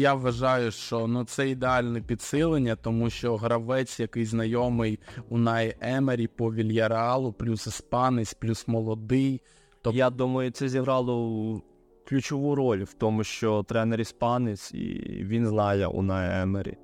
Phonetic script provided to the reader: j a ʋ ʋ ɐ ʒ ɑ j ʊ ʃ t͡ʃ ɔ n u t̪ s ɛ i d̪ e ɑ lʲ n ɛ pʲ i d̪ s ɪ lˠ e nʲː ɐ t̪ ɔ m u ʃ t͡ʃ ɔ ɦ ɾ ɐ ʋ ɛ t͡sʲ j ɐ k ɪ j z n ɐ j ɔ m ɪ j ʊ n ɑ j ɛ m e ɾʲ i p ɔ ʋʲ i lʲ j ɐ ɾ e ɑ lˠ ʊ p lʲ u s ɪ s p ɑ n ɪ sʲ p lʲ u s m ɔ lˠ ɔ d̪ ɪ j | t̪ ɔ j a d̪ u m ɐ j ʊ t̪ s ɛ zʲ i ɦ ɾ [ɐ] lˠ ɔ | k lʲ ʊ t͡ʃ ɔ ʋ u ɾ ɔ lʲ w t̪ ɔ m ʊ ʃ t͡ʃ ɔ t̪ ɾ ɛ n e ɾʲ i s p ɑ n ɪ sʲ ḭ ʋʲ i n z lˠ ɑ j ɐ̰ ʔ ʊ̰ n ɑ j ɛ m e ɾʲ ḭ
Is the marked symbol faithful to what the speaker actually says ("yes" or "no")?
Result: no